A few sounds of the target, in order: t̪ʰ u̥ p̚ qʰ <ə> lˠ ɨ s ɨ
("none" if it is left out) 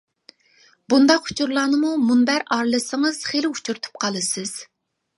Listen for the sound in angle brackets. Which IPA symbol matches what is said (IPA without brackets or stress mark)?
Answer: ɑ